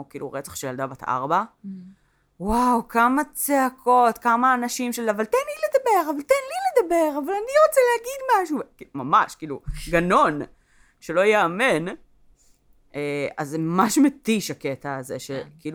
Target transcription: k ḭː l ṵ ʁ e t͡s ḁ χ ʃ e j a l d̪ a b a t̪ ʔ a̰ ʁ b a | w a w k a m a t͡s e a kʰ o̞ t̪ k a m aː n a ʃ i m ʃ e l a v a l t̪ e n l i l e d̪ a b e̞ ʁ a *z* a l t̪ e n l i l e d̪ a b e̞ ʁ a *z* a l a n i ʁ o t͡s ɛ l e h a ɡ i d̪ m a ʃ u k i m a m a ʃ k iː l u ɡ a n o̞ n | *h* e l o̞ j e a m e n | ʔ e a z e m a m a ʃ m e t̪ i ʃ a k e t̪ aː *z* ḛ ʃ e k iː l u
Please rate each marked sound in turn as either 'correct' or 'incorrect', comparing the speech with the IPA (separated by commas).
incorrect, incorrect, incorrect, correct